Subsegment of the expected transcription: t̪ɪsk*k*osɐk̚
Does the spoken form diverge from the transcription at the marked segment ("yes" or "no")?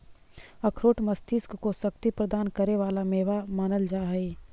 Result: no